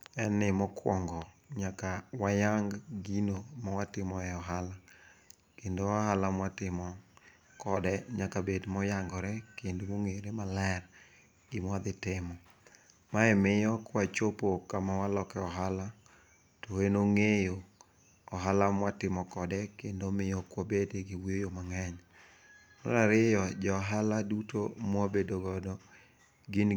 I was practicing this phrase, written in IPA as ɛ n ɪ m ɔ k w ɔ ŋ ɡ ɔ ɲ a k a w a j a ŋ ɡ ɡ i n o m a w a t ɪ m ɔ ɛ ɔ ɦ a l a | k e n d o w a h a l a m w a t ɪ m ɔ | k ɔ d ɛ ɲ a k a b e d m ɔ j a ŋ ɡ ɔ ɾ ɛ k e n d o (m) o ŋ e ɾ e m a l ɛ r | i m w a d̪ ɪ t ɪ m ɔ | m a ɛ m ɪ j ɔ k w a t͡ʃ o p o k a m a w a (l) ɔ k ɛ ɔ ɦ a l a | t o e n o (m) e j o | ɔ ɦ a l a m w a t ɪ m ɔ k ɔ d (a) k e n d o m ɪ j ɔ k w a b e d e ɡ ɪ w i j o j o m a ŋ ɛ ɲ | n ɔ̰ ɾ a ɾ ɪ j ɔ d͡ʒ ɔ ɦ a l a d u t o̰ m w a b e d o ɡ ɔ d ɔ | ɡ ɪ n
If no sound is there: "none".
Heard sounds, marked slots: m, l, ŋ, ɛ

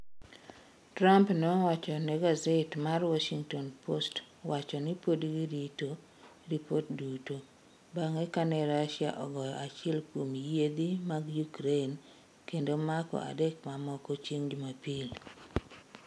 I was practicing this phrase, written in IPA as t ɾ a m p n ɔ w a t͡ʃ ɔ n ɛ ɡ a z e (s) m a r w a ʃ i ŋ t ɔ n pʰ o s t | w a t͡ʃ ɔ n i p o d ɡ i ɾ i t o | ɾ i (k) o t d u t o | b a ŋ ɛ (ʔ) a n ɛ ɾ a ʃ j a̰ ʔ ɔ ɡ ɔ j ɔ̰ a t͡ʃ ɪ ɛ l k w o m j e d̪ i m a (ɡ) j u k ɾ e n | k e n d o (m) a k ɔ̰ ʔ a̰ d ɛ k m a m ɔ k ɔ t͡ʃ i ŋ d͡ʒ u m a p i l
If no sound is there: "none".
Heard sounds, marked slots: t, p, k, ɡ, m

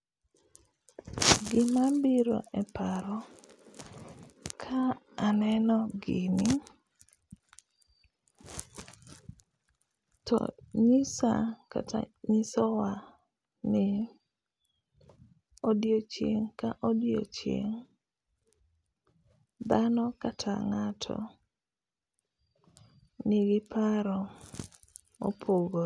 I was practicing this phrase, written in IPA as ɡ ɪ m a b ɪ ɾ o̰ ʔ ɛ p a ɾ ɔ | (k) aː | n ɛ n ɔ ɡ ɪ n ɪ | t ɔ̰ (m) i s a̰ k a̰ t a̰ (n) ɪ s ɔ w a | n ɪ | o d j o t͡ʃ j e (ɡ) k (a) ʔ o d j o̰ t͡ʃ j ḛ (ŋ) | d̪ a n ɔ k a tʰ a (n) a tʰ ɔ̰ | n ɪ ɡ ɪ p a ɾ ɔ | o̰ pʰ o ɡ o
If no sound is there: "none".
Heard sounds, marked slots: kʰ, ɲ, ɲ, ŋ, a, ŋ, ŋ

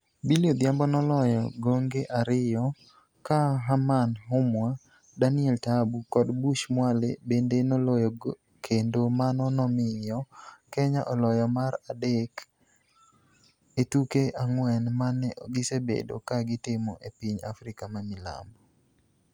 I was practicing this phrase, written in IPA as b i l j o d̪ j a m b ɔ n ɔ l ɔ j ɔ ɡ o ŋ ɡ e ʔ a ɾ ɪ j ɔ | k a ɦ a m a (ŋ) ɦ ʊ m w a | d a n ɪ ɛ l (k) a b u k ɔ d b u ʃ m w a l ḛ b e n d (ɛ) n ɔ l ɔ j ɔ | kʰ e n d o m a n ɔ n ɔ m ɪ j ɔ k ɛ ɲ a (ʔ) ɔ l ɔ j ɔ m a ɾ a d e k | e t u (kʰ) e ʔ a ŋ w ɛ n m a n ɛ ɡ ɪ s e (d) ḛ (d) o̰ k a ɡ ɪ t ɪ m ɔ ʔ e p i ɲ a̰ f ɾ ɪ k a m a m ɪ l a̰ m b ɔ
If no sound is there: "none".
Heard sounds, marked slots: n, t, e, ʔ, k, b, d

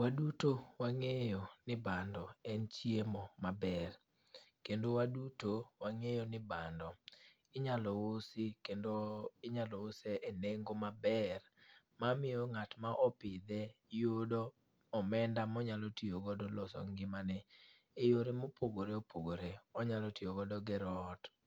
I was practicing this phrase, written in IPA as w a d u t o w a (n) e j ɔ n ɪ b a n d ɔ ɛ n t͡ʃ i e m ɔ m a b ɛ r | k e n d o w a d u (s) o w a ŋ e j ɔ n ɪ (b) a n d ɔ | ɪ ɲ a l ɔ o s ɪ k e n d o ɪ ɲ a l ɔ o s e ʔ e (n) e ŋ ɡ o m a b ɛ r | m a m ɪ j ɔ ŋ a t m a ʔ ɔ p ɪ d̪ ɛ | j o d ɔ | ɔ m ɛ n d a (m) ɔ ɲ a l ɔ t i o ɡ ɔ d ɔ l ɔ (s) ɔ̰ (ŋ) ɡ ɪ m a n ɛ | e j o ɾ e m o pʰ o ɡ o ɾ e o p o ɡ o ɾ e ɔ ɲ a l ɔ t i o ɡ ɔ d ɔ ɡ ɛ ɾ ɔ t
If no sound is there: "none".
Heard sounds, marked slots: ŋ, t, b, n, m, s, ŋ

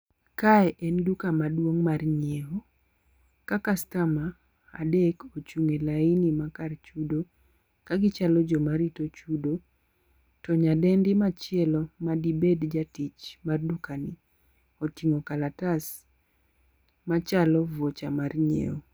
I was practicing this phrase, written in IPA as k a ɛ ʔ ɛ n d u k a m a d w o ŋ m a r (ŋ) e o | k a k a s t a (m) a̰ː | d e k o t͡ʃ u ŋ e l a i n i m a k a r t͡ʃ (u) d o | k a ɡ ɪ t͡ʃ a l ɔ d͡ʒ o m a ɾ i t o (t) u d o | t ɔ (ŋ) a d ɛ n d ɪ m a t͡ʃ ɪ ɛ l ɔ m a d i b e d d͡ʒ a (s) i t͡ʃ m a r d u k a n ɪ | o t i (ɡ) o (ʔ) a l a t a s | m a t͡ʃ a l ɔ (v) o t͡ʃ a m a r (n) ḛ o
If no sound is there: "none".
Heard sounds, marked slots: ɲ, m, u, t͡ʃ, ɲ, t, ŋ, k, v, ɲ

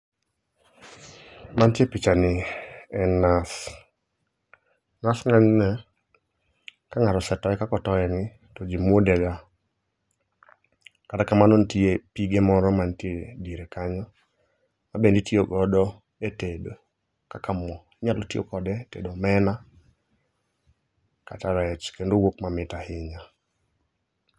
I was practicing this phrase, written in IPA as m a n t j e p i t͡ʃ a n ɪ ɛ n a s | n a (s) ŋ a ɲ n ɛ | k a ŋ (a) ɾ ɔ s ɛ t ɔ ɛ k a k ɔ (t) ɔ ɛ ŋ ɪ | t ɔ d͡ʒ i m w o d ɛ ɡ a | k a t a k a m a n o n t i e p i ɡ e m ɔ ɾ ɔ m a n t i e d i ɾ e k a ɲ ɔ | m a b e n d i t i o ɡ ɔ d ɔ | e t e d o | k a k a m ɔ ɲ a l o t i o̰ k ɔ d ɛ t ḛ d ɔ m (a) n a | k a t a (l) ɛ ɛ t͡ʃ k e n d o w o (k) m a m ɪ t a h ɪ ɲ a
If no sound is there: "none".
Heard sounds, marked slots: s, a, t, ɛ, ɾ, k

